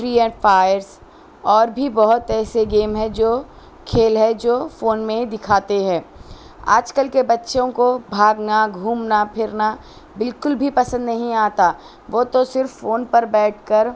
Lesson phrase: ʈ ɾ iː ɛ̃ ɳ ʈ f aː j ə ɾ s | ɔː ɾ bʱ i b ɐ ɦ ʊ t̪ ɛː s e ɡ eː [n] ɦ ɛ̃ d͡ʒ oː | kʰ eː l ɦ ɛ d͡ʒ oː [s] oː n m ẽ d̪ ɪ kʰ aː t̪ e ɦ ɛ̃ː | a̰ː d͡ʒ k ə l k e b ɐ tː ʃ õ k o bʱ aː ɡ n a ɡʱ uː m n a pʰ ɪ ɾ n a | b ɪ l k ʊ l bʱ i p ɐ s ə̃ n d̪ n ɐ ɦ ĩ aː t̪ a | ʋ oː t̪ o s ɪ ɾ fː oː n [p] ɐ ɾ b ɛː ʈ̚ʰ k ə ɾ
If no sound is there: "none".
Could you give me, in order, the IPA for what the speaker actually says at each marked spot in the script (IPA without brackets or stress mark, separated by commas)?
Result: m, f, p